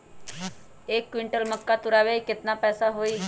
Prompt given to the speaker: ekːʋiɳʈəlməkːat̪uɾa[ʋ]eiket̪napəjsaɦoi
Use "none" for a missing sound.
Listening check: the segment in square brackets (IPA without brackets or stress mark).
ʋ